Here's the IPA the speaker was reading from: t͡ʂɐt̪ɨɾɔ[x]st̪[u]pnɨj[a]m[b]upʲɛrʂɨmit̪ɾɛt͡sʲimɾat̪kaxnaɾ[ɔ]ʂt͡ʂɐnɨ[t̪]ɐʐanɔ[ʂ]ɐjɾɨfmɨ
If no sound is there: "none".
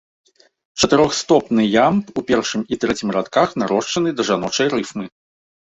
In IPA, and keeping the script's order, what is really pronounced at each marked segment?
x, ɔ, a, p, ɔ, d̪, t͡ʂ

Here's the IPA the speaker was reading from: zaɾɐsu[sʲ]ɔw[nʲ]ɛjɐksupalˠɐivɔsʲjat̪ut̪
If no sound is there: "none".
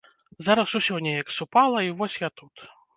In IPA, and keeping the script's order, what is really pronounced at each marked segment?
sʲ, nʲ

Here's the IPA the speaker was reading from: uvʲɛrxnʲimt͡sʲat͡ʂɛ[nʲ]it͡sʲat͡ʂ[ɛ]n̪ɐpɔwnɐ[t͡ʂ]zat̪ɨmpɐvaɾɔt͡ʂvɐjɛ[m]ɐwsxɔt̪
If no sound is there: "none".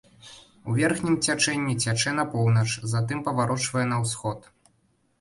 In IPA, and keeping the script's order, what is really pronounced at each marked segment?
nʲː, ɛ, t͡ʂ, n

